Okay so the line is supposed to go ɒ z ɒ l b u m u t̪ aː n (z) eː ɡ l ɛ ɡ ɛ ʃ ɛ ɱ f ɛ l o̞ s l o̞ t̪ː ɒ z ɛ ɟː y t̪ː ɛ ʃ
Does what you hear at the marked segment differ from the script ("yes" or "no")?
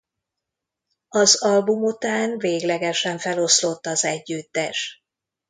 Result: yes